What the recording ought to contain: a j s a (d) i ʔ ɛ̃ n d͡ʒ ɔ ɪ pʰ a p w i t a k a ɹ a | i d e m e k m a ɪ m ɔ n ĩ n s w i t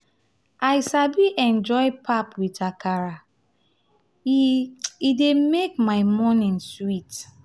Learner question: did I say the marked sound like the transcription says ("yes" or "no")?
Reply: no